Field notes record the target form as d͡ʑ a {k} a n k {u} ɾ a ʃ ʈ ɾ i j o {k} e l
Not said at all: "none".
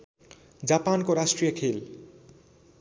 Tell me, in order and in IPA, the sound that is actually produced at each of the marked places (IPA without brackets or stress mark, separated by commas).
p, o, kʰ